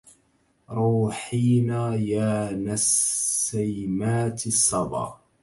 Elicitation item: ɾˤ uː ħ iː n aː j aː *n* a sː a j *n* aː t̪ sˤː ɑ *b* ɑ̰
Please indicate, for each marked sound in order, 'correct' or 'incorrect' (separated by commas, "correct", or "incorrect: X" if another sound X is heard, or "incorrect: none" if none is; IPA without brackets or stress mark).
correct, incorrect: m, correct